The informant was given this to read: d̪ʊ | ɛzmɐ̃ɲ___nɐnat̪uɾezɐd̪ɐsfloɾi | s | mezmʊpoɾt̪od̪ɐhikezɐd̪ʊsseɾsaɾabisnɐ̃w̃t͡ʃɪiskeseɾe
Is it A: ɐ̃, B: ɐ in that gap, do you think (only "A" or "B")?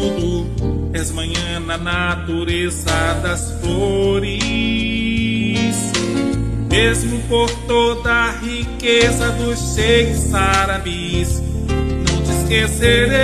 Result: A